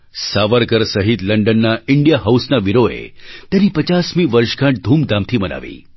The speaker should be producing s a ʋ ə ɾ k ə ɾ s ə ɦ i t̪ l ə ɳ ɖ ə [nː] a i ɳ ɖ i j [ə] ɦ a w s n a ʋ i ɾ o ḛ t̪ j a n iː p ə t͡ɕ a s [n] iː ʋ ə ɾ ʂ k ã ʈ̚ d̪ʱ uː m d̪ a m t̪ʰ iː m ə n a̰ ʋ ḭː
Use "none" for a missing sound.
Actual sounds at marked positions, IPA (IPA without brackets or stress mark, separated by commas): nː, a, m